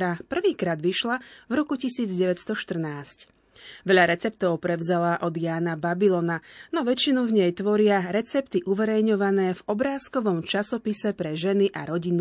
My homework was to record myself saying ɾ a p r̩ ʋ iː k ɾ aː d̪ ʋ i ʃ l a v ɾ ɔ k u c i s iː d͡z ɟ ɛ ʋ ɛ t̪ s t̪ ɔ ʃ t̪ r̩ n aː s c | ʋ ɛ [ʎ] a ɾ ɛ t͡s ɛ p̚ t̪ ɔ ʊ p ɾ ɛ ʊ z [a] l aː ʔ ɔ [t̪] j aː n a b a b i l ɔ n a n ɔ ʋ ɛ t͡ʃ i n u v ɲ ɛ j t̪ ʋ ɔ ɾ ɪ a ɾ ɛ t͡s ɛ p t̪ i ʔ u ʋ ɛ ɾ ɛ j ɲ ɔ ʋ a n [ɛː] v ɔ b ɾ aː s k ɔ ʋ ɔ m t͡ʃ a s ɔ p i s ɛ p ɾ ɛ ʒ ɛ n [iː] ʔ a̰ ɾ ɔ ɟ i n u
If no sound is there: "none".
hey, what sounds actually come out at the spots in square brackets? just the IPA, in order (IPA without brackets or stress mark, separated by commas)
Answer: ʎ, a, d̪, ɛː, i